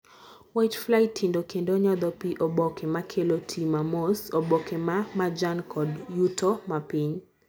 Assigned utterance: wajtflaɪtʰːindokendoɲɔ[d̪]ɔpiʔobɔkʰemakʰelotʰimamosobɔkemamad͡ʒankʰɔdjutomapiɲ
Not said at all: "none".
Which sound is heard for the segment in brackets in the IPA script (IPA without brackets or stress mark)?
d̪